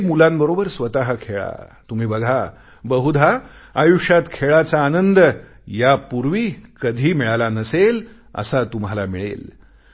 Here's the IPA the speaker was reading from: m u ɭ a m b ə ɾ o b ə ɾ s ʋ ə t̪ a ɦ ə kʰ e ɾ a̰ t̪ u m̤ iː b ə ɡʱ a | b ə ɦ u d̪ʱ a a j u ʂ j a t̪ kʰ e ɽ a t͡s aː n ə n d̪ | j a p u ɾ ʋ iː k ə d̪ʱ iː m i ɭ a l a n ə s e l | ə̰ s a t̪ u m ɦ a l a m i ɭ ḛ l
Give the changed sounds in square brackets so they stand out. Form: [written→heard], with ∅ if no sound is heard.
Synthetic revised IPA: m u [ɭ→l] a m b ə ɾ o b ə ɾ s ʋ ə t̪ a ɦ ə kʰ e [ɾ→ɭ] a̰ t̪ u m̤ iː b ə ɡʱ a | b ə ɦ u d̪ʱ a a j u ʂ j a t̪ kʰ e [ɽ→ɭ] a t͡s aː n ə n d̪ | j a p u ɾ ʋ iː k ə d̪ʱ iː m i ɭ a l a n ə s e l | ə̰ s a t̪ u m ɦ a l a m i ɭ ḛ l